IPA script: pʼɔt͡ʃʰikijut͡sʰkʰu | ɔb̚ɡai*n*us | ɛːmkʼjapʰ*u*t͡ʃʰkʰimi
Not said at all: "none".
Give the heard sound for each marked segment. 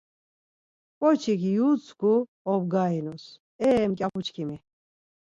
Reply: n, u

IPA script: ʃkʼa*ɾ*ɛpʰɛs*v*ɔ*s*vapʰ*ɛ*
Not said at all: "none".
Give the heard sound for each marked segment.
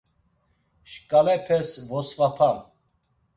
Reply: l, v, s, a

